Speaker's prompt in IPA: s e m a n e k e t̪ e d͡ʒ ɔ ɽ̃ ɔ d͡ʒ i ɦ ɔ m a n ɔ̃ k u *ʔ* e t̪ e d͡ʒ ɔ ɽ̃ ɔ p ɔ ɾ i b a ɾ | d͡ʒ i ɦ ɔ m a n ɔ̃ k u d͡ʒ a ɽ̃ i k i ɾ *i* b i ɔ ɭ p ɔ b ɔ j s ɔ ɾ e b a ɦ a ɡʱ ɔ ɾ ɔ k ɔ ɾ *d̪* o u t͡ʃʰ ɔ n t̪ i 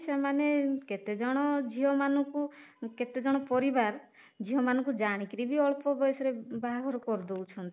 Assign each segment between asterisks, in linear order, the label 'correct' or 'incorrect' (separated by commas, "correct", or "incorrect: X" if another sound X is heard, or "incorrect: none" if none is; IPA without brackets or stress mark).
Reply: incorrect: k, correct, correct